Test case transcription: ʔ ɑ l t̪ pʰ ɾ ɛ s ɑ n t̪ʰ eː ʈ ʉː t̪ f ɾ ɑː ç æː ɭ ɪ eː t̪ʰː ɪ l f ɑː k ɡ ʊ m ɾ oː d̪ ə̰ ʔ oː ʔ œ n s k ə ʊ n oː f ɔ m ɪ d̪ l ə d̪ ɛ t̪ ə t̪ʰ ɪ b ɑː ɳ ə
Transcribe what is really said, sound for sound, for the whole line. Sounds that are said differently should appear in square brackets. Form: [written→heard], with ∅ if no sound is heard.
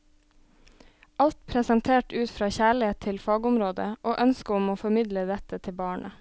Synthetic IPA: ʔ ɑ l t̪ pʰ ɾ ɛ s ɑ n t̪ʰ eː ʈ ʉː t̪ f ɾ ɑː ç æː ɭ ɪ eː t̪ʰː ɪ l f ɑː [k→∅] ɡ ʊ m ɾ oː d̪ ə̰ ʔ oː ʔ œ n s k ə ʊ [n→m] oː f ɔ m ɪ d̪ l ə d̪ ɛ t̪ ə t̪ʰ ɪ b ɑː ɳ ə